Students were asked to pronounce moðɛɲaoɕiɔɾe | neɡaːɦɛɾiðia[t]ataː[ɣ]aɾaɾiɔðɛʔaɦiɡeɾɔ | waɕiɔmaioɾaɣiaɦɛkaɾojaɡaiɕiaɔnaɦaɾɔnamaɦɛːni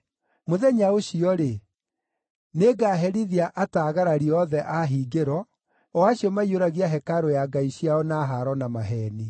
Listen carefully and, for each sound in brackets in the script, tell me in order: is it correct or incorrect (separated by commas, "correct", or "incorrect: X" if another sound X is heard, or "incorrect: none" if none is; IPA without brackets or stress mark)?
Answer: incorrect: ʔ, correct